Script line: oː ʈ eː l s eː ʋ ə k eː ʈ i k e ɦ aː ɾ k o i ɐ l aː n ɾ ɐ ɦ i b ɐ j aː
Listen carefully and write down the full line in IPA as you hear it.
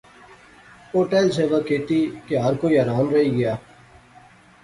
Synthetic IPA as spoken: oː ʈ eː l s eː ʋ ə k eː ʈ i k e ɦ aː ɾ k o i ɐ ɾ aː n ɾ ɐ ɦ i ɡ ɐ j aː